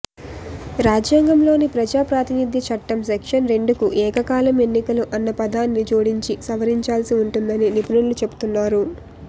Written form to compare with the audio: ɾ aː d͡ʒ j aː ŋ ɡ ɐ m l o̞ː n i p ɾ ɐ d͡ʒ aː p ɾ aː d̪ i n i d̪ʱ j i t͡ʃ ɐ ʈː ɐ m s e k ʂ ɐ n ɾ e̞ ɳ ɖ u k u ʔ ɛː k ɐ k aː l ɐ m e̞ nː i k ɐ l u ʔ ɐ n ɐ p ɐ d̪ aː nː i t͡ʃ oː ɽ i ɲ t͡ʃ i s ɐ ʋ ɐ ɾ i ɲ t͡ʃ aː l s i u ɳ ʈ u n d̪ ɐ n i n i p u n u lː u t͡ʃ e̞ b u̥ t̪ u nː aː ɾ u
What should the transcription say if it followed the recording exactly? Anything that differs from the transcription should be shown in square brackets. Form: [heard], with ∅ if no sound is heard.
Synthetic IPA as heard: ɾ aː d͡ʒ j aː ŋ ɡ ɐ m l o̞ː n i p ɾ ɐ d͡ʒ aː p ɾ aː [t̪] i n i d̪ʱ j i t͡ʃ ɐ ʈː ɐ m s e k ʂ ɐ n ɾ e̞ ɳ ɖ u k u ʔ ɛː k ɐ k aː l ɐ m e̞ nː i k ɐ l u ʔ ɐ [nː] ɐ p ɐ d̪ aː nː i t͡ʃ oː ɽ i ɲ t͡ʃ i s ɐ ʋ ɐ ɾ i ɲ t͡ʃ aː l s i u ɳ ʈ u n d̪ ɐ n i n i p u n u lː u t͡ʃ e̞ b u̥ t̪ u nː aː ɾ u

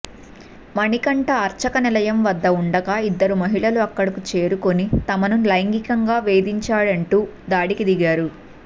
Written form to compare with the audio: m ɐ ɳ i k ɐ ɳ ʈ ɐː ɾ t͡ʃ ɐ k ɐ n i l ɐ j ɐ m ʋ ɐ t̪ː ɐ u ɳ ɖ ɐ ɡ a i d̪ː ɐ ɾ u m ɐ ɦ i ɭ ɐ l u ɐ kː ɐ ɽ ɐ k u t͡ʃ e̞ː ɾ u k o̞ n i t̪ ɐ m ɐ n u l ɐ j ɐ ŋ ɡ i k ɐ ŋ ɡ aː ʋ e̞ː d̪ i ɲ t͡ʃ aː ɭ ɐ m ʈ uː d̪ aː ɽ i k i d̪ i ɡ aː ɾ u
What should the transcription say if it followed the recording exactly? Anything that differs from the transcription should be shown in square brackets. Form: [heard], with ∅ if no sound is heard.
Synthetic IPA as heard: m ɐ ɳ i k ɐ ɳ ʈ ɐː ɾ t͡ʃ ɐ k ɐ n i l ɐ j ɐ m ʋ ɐ [d̪ː] ɐ u ɳ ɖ ɐ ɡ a i d̪ː ɐ ɾ u m ɐ ɦ i ɭ ɐ l u ɐ kː ɐ ɽ ɐ k u t͡ʃ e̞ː ɾ u k o̞ n i t̪ ɐ m ɐ n u l ɐ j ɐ ŋ ɡ i k ɐ ŋ ɡ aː ʋ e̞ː d̪ i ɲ t͡ʃ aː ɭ ɐ [ɳ] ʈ uː d̪ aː ɽ i k i d̪ i ɡ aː ɾ u

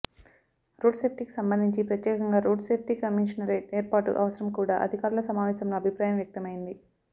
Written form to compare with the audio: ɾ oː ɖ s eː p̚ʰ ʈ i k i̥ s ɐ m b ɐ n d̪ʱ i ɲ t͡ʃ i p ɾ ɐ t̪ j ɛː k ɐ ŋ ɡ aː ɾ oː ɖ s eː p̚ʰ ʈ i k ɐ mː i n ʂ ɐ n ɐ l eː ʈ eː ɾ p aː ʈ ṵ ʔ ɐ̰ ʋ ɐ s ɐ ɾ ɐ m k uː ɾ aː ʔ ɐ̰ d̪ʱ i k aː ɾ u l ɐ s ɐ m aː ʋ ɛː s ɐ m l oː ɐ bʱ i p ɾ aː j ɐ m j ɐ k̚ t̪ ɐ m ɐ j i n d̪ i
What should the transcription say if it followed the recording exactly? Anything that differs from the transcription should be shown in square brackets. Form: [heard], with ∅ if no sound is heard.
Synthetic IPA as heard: ɾ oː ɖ s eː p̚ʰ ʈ i k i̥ s ɐ m b ɐ n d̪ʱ i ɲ t͡ʃ i p ɾ ɐ t̪ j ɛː k ɐ ŋ ɡ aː ɾ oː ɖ s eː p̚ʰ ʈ i k ɐ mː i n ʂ ɐ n ɐ [ɾ] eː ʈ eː ɾ p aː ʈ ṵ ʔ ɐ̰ ʋ ɐ s ɐ ɾ ɐ m k uː [ɽ] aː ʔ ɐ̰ d̪ʱ i k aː ɾ u l ɐ s ɐ m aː ʋ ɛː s ɐ m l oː ɐ bʱ i p ɾ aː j ɐ m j ɐ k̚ t̪ ɐ m ɐ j i n d̪ i

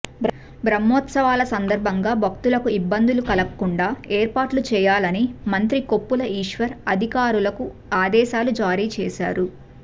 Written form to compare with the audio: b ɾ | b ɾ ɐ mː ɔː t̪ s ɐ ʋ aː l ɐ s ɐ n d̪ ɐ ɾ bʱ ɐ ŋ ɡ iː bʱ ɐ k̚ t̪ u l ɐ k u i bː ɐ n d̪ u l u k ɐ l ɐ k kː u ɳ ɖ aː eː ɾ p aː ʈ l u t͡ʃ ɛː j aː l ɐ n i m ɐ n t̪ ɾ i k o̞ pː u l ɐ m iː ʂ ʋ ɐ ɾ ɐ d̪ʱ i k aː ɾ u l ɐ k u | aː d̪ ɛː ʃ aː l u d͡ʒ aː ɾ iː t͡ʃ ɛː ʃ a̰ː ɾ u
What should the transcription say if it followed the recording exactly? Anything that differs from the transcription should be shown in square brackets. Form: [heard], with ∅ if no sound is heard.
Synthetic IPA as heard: b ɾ | b ɾ ɐ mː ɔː t̪ s ɐ ʋ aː l ɐ s ɐ n d̪ ɐ ɾ bʱ ɐ ŋ ɡ [aː] bʱ ɐ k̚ t̪ u l ɐ k u i bː ɐ n d̪ u l u k ɐ l ɐ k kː u ɳ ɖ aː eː ɾ p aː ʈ l u t͡ʃ ɛː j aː l ɐ n i m ɐ n t̪ ɾ i k o̞ pː u l ɐ [∅] iː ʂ ʋ ɐ ɾ ɐ d̪ʱ i k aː ɾ u l ɐ k u | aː d̪ ɛː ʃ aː l u d͡ʒ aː ɾ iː t͡ʃ ɛː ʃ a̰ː ɾ u

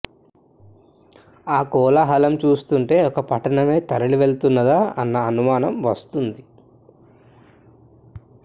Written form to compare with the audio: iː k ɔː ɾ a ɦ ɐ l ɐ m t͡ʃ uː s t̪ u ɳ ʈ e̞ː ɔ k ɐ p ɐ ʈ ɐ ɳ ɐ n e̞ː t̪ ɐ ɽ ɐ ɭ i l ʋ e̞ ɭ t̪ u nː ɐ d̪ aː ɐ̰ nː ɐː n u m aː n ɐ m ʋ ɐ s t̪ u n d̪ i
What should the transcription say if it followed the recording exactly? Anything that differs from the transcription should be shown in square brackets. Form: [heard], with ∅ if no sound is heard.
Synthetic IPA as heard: [aː] k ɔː [l] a ɦ ɐ l ɐ m t͡ʃ uː s t̪ u ɳ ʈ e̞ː ɔ k ɐ p ɐ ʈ ɐ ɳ ɐ [m] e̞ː t̪ ɐ [ɾ] ɐ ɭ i [∅] ʋ e̞ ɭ t̪ u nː ɐ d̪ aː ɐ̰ nː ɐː n u m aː n ɐ m ʋ ɐ s t̪ u n d̪ i

